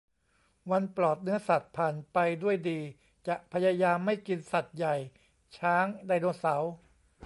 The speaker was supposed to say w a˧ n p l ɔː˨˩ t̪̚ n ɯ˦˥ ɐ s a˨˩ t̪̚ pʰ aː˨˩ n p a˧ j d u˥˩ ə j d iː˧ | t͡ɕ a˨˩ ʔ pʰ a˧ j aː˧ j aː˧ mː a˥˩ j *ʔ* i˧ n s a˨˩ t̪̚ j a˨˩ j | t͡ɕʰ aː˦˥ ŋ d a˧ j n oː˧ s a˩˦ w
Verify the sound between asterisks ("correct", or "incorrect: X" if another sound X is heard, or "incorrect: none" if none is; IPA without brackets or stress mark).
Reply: incorrect: k